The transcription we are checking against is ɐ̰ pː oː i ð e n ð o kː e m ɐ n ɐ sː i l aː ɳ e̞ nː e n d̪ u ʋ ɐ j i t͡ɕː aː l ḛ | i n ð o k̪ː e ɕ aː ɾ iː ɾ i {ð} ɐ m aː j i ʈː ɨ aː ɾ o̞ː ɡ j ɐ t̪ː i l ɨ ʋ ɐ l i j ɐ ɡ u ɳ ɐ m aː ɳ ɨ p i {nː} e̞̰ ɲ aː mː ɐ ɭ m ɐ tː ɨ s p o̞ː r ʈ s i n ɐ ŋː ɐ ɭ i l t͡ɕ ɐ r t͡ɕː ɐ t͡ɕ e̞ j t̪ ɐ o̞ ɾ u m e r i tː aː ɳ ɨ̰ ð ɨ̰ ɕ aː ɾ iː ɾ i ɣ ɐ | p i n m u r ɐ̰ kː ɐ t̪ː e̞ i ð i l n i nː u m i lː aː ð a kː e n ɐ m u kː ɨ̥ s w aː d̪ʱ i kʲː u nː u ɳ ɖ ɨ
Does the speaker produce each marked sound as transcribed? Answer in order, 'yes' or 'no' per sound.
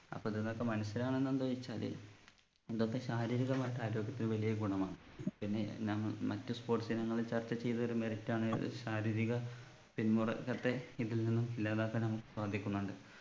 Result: no, yes

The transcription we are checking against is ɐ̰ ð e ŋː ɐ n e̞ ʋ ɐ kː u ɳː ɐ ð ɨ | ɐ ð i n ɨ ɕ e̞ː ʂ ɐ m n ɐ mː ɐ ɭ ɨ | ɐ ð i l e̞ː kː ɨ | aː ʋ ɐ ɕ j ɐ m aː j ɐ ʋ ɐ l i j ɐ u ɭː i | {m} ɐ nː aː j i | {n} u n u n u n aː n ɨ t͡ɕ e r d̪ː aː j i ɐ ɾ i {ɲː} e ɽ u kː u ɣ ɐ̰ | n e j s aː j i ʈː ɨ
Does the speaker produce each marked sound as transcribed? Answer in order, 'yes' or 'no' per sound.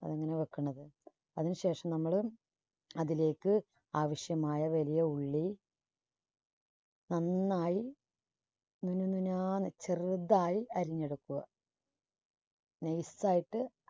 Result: no, yes, yes

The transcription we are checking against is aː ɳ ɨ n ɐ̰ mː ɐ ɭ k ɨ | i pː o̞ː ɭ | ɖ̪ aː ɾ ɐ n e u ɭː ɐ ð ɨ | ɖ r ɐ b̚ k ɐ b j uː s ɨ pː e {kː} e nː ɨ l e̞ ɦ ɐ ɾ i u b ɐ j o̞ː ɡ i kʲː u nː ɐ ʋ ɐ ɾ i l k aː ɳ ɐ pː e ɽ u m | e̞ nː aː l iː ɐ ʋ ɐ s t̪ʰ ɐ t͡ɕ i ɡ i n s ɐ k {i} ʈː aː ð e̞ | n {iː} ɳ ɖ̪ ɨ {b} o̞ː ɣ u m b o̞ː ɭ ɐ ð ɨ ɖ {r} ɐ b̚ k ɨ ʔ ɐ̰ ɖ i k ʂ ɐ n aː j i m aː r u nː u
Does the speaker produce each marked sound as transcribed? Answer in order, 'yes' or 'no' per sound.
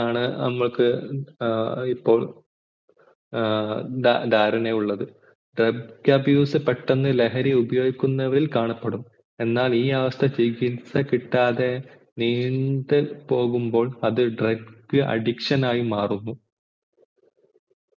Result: no, yes, yes, no, yes

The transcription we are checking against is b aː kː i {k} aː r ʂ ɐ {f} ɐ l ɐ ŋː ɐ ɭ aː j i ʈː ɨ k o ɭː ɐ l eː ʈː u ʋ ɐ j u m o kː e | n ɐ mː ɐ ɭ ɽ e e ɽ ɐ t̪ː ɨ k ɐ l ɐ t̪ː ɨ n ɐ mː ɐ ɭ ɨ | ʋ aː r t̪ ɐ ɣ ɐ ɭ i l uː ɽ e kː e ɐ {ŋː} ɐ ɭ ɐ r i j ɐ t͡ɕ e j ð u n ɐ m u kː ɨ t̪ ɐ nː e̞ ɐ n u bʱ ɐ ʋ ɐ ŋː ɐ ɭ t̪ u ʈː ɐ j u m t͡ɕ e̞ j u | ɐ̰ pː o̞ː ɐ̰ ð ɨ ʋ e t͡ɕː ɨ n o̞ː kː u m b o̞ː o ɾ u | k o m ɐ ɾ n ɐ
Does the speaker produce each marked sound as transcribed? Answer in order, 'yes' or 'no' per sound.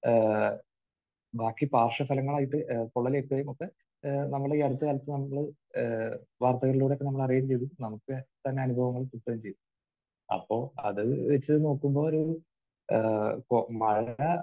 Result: no, yes, no

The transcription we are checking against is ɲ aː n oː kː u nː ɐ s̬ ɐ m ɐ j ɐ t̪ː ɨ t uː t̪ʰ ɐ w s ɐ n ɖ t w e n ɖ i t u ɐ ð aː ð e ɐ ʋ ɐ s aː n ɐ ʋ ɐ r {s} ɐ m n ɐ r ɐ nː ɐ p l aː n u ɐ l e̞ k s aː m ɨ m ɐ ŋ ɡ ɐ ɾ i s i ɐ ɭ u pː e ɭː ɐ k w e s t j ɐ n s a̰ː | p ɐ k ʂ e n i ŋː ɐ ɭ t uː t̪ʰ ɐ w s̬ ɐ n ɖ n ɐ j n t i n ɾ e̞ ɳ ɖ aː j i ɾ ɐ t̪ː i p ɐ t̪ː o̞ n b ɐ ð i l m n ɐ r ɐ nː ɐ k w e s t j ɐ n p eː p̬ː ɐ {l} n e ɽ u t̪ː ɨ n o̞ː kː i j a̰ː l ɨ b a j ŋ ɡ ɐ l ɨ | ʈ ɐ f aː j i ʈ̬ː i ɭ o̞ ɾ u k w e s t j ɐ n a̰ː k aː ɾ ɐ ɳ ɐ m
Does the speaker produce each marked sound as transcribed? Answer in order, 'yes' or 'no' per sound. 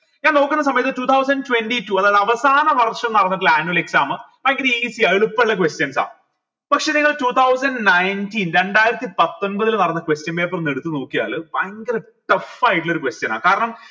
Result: no, no

